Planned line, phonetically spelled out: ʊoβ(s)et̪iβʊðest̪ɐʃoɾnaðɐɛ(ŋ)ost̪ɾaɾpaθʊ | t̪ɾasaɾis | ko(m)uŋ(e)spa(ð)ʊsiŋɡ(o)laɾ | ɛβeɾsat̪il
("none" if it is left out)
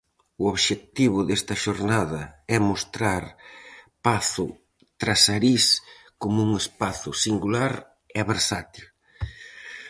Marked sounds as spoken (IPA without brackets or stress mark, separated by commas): ʃ, m, m, e, θ, u